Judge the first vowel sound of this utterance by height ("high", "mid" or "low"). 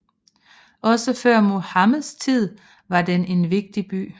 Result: low